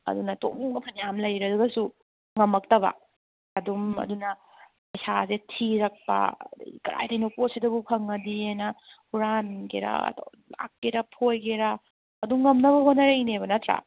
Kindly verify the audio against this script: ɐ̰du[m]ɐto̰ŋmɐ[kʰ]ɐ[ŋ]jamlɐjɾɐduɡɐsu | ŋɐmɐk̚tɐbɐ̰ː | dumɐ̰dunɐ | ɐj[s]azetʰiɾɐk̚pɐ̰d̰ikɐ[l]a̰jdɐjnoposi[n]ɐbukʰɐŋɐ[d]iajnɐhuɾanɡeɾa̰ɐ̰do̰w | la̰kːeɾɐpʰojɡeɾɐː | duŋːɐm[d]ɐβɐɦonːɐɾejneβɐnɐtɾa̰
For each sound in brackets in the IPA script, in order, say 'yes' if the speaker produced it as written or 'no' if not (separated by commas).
no, no, no, yes, no, no, yes, no